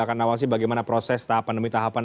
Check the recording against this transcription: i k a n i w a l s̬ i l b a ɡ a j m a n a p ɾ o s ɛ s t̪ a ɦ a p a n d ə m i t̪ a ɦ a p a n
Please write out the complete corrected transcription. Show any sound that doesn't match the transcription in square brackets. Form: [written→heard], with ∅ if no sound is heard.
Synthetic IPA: [i→a] k a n [i→a] w a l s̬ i [l→∅] b a ɡ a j m a n a p ɾ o s ɛ s t̪ a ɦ a p a n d ə m i t̪ a ɦ a p a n